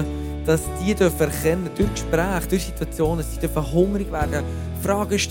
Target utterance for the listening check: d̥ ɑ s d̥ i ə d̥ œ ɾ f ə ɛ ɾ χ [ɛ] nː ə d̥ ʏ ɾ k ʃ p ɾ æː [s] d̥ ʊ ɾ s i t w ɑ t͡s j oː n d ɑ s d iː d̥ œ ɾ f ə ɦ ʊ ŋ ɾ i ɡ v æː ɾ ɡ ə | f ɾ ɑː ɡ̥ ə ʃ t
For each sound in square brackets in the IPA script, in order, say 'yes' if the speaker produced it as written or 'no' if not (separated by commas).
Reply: yes, no